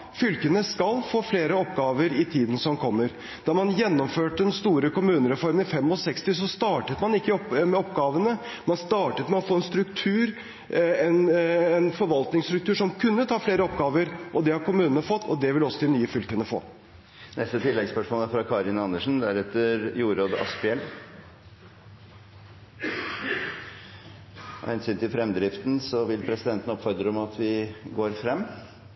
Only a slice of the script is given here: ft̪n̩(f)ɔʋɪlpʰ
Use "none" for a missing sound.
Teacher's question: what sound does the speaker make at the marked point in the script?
s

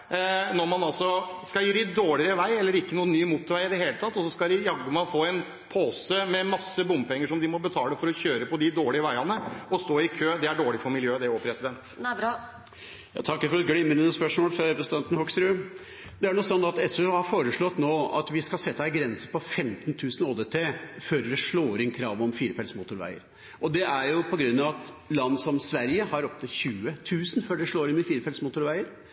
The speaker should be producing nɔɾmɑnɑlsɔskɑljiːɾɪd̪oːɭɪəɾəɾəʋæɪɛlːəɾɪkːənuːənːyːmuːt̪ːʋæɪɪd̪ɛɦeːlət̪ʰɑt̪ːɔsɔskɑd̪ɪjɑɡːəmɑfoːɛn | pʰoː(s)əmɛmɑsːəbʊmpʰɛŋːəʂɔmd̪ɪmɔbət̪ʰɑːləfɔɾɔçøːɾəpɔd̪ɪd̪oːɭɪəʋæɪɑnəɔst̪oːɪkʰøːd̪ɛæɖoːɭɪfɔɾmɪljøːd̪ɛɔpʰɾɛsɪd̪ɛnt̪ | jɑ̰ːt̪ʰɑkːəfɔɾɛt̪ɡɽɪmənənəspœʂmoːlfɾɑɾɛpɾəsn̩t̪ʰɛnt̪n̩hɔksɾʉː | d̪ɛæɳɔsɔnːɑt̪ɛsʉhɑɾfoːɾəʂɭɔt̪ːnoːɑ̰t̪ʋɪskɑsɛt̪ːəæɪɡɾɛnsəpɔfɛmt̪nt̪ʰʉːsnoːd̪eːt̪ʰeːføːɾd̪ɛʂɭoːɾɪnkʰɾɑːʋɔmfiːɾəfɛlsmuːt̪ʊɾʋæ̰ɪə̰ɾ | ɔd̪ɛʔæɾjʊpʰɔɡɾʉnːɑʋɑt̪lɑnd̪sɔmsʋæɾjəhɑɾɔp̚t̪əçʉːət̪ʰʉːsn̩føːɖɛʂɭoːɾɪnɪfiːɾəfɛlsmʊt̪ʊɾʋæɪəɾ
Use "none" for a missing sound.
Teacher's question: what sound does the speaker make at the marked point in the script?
s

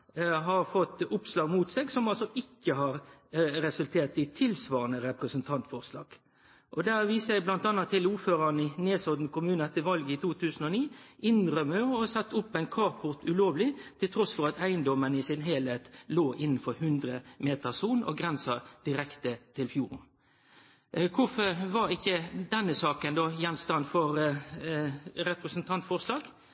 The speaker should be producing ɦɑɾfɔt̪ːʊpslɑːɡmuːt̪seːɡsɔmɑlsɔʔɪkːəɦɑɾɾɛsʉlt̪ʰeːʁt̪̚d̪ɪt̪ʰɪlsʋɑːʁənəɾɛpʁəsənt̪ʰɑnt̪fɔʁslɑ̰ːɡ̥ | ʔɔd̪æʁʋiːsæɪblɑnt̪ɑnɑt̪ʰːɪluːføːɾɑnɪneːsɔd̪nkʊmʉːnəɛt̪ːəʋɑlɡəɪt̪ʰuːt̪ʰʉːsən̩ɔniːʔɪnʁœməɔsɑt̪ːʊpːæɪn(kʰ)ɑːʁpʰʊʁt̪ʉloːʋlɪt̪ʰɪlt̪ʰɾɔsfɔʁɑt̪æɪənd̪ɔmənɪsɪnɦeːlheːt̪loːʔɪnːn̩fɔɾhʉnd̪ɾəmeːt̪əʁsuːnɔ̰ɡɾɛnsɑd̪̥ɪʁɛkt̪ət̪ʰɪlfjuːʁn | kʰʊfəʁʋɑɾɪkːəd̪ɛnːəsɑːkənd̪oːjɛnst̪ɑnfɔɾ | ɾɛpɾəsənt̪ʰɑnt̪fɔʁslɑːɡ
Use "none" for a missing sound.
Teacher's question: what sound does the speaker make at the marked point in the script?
kʰ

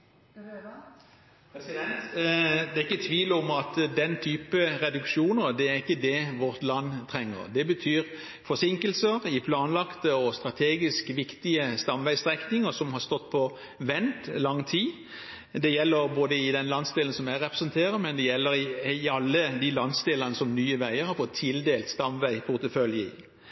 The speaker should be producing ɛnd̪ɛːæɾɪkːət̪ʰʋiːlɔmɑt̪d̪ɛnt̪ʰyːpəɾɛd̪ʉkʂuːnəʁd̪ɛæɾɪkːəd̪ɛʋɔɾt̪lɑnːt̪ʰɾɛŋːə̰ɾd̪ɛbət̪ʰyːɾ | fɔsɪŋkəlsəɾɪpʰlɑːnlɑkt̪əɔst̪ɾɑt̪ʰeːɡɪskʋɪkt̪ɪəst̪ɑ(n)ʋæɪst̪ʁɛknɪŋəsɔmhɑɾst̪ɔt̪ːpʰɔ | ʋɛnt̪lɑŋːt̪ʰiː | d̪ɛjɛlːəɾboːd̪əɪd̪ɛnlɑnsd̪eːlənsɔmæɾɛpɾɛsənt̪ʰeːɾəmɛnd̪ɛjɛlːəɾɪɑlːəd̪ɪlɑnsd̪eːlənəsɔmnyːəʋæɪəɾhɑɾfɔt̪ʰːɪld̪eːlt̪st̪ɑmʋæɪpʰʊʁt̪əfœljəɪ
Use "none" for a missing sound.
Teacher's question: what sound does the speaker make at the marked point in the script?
m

